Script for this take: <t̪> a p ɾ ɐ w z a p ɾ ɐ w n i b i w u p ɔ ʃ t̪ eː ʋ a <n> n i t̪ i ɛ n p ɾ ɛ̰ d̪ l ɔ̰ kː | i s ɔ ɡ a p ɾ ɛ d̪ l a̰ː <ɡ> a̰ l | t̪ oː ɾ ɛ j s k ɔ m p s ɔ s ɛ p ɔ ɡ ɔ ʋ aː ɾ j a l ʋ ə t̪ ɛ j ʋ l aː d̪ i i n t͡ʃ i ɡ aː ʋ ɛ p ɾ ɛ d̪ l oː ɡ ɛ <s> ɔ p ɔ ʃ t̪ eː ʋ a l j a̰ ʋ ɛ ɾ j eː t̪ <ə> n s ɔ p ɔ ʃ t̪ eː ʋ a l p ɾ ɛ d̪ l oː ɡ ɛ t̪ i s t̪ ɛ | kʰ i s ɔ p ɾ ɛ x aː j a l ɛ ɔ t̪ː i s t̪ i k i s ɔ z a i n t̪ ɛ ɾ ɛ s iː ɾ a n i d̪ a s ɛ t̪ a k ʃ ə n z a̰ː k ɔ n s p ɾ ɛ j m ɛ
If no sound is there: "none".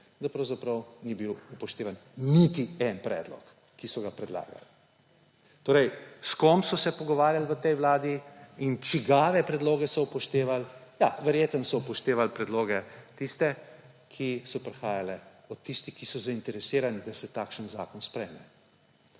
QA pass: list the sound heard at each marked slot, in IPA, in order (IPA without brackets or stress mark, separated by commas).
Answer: d̪, n, ɡ, s, ə